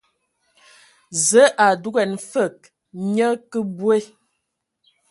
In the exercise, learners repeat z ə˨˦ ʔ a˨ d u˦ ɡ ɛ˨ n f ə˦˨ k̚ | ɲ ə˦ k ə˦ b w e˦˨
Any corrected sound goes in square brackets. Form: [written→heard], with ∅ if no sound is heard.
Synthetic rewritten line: z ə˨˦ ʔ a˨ d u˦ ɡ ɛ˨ n f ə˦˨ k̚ | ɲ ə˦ k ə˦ b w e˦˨